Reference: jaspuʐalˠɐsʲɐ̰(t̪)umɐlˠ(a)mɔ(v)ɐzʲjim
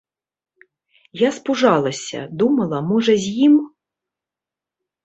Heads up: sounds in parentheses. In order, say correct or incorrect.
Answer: incorrect: d̪, incorrect: ɐ, incorrect: ʐ

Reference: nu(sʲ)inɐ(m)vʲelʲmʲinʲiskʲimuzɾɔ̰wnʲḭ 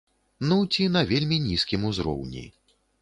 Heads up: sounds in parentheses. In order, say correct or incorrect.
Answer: incorrect: t͡sʲ, incorrect: none

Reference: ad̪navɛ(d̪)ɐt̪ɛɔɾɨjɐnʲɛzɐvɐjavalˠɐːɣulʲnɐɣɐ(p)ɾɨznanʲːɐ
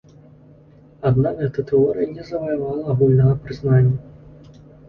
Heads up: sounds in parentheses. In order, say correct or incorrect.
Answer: incorrect: t̪, correct

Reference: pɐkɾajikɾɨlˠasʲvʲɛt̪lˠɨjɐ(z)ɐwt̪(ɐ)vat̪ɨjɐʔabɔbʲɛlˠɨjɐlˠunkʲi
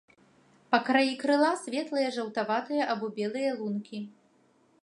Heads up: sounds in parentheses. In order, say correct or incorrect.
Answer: incorrect: ʐ, incorrect: a

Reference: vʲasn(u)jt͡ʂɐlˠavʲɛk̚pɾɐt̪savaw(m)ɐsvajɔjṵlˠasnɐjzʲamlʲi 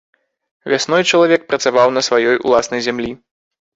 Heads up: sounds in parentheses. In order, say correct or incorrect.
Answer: incorrect: ɔ, incorrect: n

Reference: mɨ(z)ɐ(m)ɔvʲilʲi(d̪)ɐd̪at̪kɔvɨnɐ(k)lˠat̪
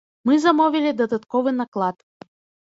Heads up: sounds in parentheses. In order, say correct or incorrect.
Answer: correct, correct, correct, correct

